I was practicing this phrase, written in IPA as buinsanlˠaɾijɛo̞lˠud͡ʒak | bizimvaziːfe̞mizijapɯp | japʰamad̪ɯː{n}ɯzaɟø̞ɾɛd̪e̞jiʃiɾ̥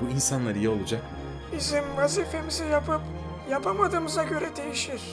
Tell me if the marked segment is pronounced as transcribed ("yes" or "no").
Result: no